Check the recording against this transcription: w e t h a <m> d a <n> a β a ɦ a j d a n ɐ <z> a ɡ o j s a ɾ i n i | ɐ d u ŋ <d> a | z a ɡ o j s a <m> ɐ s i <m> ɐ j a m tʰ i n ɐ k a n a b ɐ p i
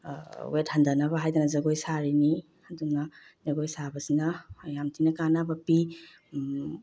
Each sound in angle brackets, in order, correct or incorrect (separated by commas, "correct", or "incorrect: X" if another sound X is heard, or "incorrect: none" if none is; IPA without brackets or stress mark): incorrect: n, correct, correct, incorrect: n, incorrect: b, incorrect: n